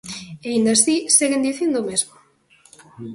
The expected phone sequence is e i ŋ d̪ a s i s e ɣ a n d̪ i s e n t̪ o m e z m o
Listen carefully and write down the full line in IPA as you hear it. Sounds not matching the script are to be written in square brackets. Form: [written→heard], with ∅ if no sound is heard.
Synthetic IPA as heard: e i [ŋ→n] d̪ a s i s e ɣ [a→e] n d̪ i [s→θ] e n [t̪→d̪] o m e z m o